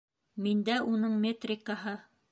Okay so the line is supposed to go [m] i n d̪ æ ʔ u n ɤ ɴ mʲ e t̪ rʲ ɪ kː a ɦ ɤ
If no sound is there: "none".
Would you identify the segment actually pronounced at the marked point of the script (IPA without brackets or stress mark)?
m